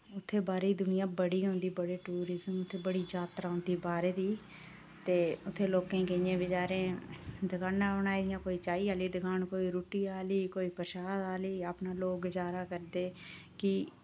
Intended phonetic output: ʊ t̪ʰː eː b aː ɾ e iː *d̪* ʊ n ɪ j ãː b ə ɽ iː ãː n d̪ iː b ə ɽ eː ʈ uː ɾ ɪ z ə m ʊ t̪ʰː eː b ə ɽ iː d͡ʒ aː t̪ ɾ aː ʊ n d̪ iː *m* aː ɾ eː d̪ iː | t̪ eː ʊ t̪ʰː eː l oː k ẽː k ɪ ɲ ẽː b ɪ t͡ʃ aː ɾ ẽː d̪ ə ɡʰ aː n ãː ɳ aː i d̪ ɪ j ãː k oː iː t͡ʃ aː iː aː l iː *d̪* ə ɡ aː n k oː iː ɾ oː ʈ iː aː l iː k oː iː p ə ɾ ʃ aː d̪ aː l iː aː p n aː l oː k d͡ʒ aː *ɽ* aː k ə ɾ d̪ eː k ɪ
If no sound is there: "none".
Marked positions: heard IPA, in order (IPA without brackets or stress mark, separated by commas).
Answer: d̪, b, d̪, ɾ